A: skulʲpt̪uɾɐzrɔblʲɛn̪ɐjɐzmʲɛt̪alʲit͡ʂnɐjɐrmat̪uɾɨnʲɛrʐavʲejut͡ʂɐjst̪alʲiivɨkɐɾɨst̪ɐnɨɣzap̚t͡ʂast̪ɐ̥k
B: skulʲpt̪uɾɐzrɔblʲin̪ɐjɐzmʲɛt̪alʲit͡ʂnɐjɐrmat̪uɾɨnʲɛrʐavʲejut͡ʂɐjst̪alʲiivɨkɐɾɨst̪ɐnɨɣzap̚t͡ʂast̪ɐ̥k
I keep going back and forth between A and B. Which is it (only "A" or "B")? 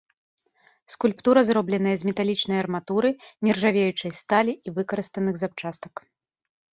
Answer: A